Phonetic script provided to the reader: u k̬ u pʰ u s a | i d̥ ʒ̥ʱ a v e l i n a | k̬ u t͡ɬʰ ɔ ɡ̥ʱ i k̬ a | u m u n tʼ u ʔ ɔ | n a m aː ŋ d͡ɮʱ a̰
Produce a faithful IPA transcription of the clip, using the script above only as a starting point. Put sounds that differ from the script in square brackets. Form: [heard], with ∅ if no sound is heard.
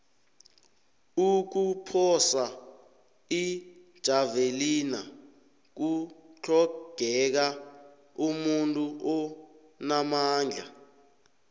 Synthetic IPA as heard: u k̬ u pʰ [ɔ] s a | i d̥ ʒ̥ʱ a v e l i n a | k̬ u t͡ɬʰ ɔ ɡ̥ʱ [ɛ] k̬ a | u m u n tʼ u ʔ ɔ | n a m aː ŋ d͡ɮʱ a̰